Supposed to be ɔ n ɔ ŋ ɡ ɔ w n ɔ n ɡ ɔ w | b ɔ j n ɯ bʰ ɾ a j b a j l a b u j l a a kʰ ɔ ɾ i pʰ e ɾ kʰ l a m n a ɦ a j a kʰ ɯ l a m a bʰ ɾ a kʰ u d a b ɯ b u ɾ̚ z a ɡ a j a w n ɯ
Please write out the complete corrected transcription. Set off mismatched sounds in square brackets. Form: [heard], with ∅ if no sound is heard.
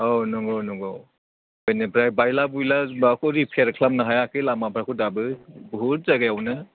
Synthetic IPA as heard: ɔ n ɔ ŋ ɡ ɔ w n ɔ [ŋ] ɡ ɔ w | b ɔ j n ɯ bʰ ɾ a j b a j l a b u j l a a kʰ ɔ ɾ i pʰ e ɾ kʰ l a m n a ɦ a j a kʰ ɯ l a m a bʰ ɾ a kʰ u d a b ɯ b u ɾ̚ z a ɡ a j a w n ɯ